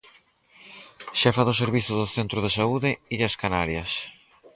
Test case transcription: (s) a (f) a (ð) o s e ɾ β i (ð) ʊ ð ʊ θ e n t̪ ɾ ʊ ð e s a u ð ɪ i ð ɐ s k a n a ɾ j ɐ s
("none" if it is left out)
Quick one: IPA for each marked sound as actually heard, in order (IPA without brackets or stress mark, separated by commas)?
ʃ, f, ð, θ